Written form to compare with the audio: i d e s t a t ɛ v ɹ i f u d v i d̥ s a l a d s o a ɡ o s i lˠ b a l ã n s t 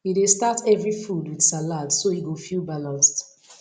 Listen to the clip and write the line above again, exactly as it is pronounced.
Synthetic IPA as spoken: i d e s t a t ɛ v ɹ i f u d w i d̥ s a l a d s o i ɡ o f i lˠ b a l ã n s t